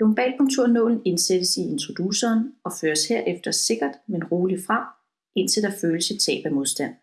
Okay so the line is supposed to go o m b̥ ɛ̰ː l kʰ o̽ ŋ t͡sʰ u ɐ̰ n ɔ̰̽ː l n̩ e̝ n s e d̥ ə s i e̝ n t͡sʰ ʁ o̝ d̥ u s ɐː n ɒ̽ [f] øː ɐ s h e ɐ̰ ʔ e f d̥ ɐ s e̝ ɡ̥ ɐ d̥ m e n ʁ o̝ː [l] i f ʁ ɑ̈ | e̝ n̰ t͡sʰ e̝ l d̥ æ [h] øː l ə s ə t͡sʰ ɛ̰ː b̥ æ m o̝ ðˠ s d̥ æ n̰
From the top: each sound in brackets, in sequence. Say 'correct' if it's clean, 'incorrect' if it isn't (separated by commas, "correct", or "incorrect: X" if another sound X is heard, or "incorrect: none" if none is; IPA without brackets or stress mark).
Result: correct, correct, incorrect: f